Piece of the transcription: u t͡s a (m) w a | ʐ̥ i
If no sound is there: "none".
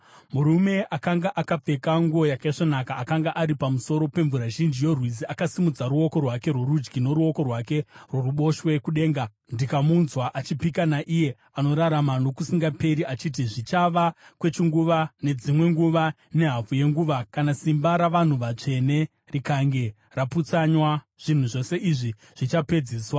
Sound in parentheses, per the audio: ɲ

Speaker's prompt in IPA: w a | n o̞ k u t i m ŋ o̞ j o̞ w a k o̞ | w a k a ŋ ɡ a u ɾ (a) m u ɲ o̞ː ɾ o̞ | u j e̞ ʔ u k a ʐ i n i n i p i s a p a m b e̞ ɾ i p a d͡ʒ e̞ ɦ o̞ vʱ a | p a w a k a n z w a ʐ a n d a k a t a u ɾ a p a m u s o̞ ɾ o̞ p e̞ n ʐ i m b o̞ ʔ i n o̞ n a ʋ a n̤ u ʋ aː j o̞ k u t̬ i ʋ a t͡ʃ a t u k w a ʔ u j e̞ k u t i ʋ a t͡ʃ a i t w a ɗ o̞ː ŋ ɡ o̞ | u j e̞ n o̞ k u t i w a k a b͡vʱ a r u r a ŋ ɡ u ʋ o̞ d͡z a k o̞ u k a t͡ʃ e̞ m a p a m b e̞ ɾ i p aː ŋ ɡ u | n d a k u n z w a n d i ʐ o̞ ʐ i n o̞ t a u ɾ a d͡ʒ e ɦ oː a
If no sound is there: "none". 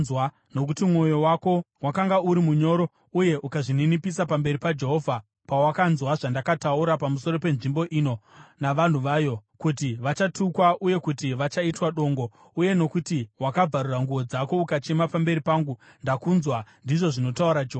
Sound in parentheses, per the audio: i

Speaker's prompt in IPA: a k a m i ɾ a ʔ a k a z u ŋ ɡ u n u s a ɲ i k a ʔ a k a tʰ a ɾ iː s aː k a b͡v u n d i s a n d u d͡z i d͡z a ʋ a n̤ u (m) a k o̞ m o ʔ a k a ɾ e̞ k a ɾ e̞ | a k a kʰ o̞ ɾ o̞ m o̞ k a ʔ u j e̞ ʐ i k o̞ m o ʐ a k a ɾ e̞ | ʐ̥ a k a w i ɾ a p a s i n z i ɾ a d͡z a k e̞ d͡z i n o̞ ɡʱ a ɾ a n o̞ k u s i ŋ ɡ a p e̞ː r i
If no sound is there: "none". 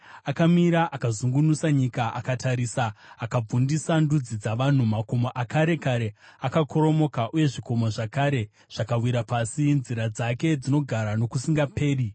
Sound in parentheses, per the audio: m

